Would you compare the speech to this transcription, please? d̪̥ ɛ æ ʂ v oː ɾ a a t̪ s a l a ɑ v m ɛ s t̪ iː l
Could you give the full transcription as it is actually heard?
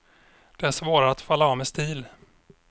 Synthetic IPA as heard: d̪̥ ɛ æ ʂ v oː ɾ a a t̪ f a lː a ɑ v m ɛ s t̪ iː l